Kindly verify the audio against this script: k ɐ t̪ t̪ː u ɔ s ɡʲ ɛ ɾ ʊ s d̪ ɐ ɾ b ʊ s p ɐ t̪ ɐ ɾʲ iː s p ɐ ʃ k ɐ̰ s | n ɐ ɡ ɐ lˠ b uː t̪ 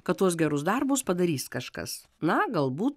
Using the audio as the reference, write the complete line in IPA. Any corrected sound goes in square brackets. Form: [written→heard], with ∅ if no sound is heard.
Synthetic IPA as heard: k ɐ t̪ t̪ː u ɔ s ɡʲ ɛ ɾ ʊ s d̪ ɐ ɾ b ʊ s p ɐ [t̪→d̪] ɐ ɾʲ iː s [p→k] ɐ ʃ k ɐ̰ s | n ɐ ɡ ɐ lˠ b uː t̪